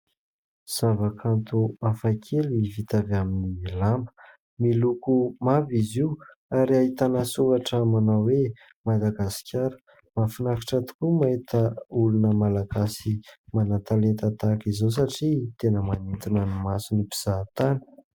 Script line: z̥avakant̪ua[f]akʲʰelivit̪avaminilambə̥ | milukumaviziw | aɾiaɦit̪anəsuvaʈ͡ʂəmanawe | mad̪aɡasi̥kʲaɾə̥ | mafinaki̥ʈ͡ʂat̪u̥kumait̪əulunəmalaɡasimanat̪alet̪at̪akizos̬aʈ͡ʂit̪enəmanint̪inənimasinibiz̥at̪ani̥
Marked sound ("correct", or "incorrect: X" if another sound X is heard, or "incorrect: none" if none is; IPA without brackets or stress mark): correct